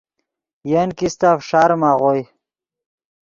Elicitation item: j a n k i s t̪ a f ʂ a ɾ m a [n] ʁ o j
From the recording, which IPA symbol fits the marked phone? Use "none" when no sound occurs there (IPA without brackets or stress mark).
none